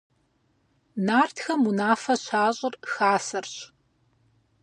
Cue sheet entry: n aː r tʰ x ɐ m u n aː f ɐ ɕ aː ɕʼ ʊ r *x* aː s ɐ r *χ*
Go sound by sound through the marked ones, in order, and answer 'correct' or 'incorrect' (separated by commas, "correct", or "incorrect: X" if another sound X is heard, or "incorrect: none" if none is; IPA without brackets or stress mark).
correct, incorrect: ɕ